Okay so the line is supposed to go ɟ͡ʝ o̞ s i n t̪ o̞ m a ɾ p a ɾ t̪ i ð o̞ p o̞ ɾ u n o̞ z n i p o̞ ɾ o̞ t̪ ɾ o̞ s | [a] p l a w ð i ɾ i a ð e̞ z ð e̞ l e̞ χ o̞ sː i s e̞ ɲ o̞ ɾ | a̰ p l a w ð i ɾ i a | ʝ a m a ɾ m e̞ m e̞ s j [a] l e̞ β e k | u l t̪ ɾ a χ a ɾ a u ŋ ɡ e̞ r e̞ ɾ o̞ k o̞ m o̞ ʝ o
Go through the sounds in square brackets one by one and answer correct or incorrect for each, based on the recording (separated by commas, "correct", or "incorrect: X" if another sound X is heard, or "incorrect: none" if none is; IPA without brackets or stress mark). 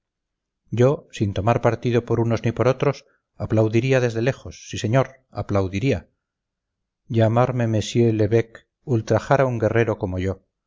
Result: correct, incorrect: e